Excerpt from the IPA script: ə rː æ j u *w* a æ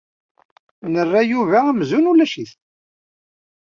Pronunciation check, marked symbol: incorrect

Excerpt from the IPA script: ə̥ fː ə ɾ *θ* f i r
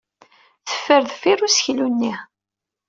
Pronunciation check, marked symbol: incorrect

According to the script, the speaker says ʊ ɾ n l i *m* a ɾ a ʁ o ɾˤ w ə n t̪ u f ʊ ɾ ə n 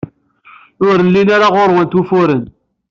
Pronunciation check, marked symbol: incorrect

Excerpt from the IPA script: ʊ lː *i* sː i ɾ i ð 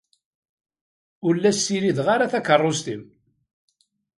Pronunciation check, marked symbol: incorrect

